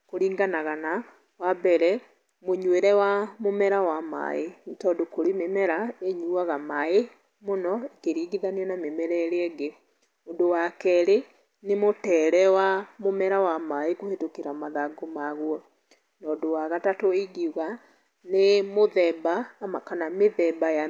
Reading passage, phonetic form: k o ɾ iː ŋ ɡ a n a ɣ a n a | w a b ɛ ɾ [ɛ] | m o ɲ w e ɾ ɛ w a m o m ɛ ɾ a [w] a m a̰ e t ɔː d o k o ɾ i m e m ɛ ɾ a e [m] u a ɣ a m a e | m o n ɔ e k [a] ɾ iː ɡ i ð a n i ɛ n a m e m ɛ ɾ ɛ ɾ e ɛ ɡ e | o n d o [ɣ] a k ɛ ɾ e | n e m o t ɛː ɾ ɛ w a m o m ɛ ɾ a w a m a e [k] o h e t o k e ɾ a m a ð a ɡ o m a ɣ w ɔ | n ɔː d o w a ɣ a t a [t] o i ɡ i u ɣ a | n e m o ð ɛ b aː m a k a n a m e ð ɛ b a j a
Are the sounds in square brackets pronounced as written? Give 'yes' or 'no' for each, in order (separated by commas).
yes, yes, no, no, no, yes, yes